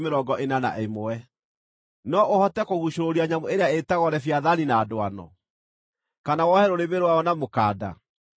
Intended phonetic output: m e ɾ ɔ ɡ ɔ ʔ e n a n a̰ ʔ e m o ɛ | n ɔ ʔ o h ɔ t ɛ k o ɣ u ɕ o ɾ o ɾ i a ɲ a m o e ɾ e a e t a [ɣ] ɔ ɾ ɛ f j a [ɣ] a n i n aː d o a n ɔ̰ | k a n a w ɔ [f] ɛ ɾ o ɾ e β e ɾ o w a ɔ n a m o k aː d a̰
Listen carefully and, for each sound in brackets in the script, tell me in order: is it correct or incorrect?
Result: correct, incorrect: ð, incorrect: h

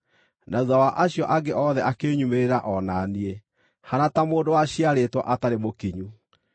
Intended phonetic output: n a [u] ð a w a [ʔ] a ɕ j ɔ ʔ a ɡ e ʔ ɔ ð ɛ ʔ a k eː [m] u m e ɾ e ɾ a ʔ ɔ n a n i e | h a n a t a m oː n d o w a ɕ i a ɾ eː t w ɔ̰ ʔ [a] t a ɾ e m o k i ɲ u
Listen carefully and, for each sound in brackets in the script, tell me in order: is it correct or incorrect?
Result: correct, correct, incorrect: ɲ, correct

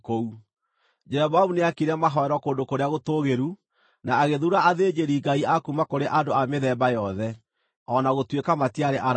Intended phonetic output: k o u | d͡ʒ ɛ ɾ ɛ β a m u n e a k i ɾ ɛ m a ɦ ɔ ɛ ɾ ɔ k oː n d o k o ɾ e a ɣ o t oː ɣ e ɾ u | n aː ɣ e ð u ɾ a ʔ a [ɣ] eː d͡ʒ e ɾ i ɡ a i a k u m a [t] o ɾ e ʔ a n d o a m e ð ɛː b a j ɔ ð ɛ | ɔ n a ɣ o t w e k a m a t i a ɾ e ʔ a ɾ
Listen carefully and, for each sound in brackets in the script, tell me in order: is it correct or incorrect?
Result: incorrect: ð, incorrect: k

